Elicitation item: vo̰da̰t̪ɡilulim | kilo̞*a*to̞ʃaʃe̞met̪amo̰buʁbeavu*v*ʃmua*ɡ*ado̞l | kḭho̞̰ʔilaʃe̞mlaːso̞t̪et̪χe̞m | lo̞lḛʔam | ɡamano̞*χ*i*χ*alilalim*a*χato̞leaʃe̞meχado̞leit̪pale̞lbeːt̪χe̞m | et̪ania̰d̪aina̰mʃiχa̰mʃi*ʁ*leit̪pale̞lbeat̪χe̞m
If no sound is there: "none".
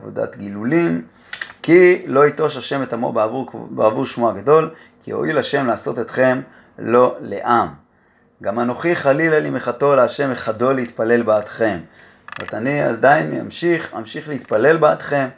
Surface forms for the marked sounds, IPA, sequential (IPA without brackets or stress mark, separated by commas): i, ʁ, ɡ, χ, χ, e, χ